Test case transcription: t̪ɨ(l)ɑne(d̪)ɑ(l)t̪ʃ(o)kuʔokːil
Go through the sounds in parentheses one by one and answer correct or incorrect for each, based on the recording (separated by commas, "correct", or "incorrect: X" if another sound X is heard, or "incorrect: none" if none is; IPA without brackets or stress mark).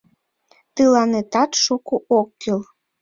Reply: correct, incorrect: t̪, incorrect: none, incorrect: u